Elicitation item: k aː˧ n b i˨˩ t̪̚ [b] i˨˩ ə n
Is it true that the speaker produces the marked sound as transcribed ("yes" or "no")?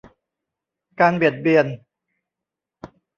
yes